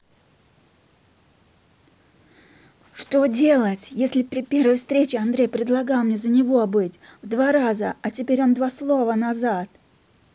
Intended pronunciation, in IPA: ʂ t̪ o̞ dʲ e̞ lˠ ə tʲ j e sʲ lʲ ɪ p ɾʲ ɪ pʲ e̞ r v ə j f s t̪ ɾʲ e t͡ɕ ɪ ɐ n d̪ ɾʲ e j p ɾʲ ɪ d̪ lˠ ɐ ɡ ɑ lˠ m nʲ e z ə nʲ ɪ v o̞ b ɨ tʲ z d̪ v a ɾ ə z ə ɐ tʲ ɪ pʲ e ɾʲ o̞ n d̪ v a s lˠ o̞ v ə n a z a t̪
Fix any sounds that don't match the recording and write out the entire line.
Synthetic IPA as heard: ʂ t̪ o̞ dʲ e̞ lˠ ə tʲ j e sʲ lʲ ɪ p ɾʲ ɪ pʲ e̞ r v ə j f s t̪ ɾʲ e t͡ɕ ɪ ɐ n d̪ ɾʲ e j p ɾʲ ɪ d̪ lˠ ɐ ɡ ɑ lˠ m nʲ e z ə nʲ ɪ v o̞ b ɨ tʲ v d̪ v a ɾ a z ə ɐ tʲ ɪ pʲ e ɾʲ o̞ n d̪ v a s lˠ o̞ v ə n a z a t̪